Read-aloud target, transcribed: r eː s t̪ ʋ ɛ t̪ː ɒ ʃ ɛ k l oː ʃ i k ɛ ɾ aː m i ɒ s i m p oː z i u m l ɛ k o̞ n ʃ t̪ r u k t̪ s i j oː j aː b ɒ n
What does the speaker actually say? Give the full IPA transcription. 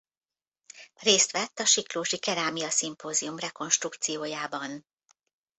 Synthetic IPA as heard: r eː s t̪ ʋ ɛ t̪ː ɒ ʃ i k l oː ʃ i k ɛ ɾ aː m i ɒ s i m p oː z i u m r ɛ k o̞ n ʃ t̪ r u k t̪ s i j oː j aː b ɒ n